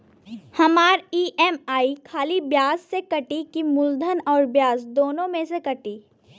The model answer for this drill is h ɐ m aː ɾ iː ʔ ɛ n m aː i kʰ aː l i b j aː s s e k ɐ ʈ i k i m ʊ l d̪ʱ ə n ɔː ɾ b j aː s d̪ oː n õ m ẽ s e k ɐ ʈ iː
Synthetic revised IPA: h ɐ m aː ɾ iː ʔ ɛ m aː i kʰ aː l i b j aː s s e k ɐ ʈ i k i m ʊ l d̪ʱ ə n ɔː ɾ b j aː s d̪ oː n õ m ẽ s e k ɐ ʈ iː